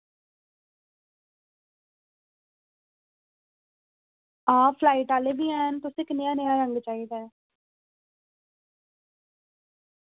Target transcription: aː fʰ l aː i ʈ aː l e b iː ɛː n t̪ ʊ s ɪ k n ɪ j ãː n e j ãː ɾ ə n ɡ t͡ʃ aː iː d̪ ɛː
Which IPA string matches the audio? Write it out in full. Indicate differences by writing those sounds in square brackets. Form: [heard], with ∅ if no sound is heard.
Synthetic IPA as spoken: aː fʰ l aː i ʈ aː l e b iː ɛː n t̪ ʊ s ɪ k n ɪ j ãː n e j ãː ɾ ə [ŋ] ɡ t͡ʃ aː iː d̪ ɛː